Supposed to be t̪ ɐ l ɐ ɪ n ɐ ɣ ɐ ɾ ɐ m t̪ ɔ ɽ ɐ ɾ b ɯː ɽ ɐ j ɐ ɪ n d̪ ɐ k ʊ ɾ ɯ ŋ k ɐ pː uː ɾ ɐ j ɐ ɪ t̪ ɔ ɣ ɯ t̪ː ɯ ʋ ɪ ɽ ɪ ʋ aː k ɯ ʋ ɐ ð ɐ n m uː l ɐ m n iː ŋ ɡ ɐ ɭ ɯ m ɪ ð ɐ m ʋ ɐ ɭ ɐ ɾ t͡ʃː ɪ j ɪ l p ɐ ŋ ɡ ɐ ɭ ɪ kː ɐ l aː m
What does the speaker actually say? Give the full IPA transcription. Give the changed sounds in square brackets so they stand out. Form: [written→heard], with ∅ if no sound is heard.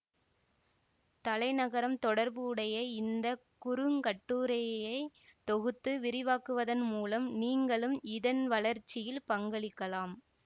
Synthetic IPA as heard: t̪ ɐ l ɐ ɪ n ɐ ɣ ɐ ɾ ɐ m t̪ ɔ ɽ ɐ ɾ b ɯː ɽ ɐ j ɐ ɪ n d̪ ɐ k ʊ ɾ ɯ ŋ k ɐ [pː→ʈː] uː ɾ ɐ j ɐ ɪ t̪ ɔ ɣ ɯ t̪ː ɯ ʋ ɪ [ɽ→ɾ] ɪ ʋ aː k ɯ ʋ ɐ ð ɐ n m uː l ɐ m n iː ŋ ɡ ɐ ɭ ɯ m ɪ ð ɐ [m→n] ʋ ɐ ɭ ɐ ɾ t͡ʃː ɪ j ɪ l p ɐ ŋ ɡ ɐ ɭ ɪ kː ɐ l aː m

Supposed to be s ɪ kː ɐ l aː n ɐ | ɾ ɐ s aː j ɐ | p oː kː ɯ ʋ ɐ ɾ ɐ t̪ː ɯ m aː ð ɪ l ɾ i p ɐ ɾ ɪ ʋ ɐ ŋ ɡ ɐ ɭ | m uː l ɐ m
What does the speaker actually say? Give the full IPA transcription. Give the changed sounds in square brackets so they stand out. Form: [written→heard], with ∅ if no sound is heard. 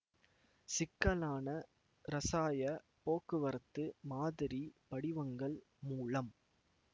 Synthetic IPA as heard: s ɪ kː ɐ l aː n ɐ | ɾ ɐ s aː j ɐ | p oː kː ɯ ʋ ɐ ɾ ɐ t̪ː ɯ m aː ð ɪ [l→∅] ɾ i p ɐ [ɾ→ɽ] ɪ ʋ ɐ ŋ ɡ ɐ ɭ | m uː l ɐ m

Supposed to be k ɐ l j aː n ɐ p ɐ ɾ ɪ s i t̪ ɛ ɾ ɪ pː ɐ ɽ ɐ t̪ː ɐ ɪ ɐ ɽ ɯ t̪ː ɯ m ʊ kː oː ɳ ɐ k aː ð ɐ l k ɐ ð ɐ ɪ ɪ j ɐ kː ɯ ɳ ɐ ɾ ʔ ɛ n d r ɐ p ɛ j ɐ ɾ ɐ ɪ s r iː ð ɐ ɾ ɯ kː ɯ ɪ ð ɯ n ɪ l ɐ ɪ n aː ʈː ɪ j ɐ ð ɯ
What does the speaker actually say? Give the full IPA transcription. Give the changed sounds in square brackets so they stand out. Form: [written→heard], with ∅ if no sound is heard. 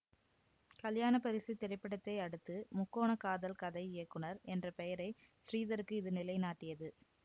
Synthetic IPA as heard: k ɐ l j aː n ɐ p ɐ ɾ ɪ s i t̪ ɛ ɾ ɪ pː ɐ ɽ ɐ t̪ː ɐ ɪ ɐ ɽ ɯ t̪ː ɯ m ʊ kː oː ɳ ɐ k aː ð ɐ l k ɐ ð ɐ ɪ ɪ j ɐ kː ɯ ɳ ɐ ɾ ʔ ɛ n d r ɐ p ɛ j ɐ ɾ ɐ ɪ s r iː ð ɐ ɾ ɯ kː ɯ ɪ ð ɯ n ɪ l ɐ ɪ n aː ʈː ɪ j ɐ ð ɯ

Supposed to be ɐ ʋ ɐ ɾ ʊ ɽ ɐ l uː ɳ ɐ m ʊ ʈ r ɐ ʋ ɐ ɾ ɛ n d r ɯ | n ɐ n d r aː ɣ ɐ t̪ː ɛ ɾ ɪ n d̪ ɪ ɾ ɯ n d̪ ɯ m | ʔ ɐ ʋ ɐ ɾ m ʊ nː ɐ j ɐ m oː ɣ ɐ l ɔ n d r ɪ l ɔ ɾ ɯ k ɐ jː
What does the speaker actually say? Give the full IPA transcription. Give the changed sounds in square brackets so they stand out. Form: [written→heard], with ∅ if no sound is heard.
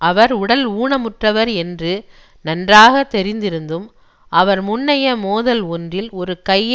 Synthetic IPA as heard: ɐ ʋ ɐ ɾ ʊ ɽ ɐ l uː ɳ ɐ m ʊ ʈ r ɐ ʋ ɐ ɾ ɛ n d r ɯ | n ɐ n d r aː ɣ ɐ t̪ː ɛ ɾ ɪ n d̪ ɪ ɾ ɯ n d̪ ɯ m | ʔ ɐ ʋ ɐ ɾ m ʊ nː ɐ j ɐ m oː [ɣ→ð] ɐ l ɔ n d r ɪ l ɔ ɾ ɯ k ɐ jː

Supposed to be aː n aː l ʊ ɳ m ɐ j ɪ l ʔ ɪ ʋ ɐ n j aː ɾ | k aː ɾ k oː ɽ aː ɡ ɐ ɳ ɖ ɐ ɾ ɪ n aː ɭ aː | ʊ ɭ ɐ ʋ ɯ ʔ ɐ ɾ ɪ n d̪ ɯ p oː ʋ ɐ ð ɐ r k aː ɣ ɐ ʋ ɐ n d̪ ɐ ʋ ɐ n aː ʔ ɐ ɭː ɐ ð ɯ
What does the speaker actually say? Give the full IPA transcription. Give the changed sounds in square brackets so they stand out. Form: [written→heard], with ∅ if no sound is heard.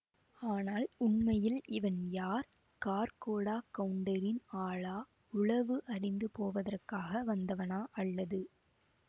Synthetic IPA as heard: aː n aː l ʊ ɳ m ɐ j ɪ l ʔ ɪ ʋ ɐ n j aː ɾ | k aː ɾ k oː ɽ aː [ɡ→k] ɐ ɳ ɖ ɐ ɾ ɪ n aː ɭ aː | ʊ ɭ ɐ ʋ ɯ ʔ ɐ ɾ ɪ n d̪ ɯ p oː ʋ ɐ ð ɐ r k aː ɣ ɐ ʋ ɐ n d̪ ɐ ʋ ɐ n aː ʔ ɐ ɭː ɐ ð ɯ

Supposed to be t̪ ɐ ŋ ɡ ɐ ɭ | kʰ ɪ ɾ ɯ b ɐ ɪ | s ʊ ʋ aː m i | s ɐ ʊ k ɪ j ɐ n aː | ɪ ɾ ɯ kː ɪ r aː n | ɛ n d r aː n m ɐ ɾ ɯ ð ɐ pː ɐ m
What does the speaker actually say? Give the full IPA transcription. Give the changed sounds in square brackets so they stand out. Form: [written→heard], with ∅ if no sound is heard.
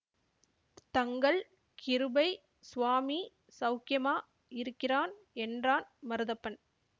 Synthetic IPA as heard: t̪ ɐ ŋ ɡ ɐ ɭ | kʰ ɪ ɾ ɯ b ɐ ɪ | s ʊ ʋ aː m i | s ɐ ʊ k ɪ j ɐ [n→m] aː | ɪ ɾ ɯ kː ɪ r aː n | ɛ n d r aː n m ɐ ɾ ɯ ð ɐ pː ɐ [m→n]

